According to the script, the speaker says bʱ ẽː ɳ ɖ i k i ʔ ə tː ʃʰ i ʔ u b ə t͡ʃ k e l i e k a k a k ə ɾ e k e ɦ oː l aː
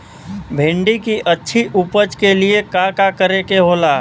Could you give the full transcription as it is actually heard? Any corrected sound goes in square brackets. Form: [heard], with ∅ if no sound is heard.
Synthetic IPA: bʱ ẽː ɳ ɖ i k i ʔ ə tː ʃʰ i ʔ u [p] ə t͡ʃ k e l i e k a k a k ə ɾ e k e ɦ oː l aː